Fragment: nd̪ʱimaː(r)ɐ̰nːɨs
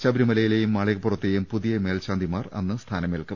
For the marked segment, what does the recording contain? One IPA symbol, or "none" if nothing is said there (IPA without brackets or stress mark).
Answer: r